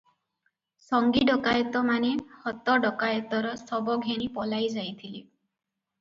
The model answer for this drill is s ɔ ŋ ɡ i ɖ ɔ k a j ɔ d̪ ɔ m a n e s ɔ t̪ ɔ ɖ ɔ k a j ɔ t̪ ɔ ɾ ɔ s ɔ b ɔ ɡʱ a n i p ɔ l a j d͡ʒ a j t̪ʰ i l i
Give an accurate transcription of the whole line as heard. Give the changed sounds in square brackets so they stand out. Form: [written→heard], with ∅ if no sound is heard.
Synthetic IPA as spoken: s ɔ ŋ ɡ i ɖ ɔ k a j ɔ [d̪→t̪] ɔ m a n e [s→h] ɔ t̪ ɔ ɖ ɔ k a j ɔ t̪ ɔ ɾ ɔ s ɔ b ɔ ɡʱ [a→e] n i p ɔ l a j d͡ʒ a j t̪ʰ i l i